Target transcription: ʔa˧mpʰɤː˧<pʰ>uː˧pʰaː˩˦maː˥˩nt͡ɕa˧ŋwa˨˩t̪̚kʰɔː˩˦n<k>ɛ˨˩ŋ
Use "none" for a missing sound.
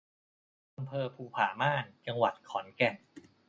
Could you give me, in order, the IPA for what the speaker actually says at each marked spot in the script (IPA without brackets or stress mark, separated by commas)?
pʰ, k